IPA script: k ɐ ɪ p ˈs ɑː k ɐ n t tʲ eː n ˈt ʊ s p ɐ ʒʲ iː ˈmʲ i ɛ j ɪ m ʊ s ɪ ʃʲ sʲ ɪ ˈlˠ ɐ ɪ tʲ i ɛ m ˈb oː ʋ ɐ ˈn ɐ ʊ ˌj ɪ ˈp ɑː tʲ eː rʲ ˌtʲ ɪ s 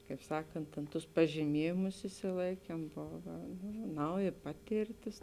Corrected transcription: k ɐ ɪ p ˈs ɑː k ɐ n t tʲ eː n ˈt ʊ s p ɐ ʒʲ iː ˈmʲ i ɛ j ɪ m ʊ s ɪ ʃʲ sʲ ɪ ˈlˠ ɐ ɪ kʲ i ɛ m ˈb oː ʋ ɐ ˈn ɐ ʊ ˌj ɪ ˈp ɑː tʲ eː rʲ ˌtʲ ɪ s